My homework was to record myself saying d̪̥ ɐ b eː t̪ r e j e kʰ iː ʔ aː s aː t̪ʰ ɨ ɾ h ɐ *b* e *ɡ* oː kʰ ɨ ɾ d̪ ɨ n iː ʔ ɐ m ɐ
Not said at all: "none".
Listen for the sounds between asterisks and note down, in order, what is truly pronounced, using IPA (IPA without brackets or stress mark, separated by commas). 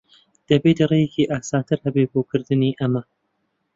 b, b